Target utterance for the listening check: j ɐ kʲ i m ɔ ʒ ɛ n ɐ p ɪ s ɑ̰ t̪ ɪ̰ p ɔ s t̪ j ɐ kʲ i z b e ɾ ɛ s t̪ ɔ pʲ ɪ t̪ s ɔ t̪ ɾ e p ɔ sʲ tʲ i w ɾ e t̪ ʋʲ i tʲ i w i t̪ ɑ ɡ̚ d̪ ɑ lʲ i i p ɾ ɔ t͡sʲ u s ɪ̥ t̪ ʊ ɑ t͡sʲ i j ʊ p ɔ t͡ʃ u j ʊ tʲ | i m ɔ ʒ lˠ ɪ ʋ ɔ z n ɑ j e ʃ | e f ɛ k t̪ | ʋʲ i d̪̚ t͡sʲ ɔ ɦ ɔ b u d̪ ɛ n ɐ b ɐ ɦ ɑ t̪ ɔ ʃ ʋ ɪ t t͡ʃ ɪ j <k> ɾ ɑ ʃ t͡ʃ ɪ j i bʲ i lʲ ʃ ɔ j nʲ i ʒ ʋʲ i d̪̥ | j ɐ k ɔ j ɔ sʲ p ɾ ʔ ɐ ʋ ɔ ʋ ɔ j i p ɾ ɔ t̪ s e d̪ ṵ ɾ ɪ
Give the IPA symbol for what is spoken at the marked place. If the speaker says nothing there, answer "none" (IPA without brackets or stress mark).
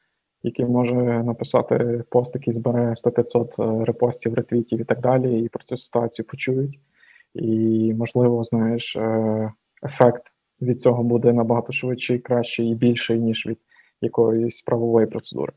k